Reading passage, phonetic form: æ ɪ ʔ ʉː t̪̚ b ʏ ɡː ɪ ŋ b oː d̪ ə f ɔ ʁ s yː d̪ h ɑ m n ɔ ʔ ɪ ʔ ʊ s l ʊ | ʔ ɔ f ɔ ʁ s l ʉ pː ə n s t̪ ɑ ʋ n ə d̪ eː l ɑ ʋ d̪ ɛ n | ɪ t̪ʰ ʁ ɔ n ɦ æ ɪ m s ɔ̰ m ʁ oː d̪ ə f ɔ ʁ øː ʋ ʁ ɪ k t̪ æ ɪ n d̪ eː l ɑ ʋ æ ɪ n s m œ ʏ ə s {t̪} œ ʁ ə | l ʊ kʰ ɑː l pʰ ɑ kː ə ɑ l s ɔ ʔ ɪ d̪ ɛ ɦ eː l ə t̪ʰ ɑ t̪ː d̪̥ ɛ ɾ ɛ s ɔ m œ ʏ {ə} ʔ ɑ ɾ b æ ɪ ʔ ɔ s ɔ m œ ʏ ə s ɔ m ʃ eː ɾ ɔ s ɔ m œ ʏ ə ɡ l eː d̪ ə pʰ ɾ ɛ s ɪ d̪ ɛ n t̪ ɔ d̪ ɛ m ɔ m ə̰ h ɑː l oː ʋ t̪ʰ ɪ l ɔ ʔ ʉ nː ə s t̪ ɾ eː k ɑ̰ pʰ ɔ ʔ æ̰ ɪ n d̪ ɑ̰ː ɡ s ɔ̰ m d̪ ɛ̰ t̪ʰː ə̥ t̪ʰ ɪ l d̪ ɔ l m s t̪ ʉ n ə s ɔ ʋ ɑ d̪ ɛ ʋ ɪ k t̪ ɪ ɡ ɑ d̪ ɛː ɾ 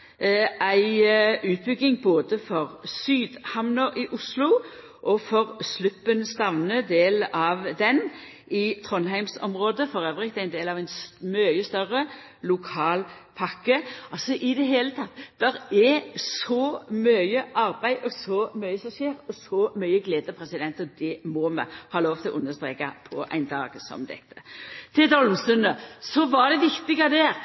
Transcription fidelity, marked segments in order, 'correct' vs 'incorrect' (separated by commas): correct, correct